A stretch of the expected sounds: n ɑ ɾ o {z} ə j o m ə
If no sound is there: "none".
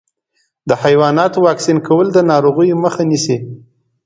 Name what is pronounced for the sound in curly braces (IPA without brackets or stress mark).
ɣ